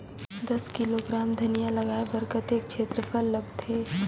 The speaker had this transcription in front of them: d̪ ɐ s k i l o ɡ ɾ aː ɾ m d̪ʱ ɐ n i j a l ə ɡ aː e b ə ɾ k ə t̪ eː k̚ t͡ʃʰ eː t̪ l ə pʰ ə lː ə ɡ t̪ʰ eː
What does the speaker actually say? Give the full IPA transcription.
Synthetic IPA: d̪ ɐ s k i l o ɡ ɾ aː m d̪ʱ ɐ n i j a l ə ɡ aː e b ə ɾ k ə t̪ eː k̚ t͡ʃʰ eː t̪ ɾ ə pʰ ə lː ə ɡ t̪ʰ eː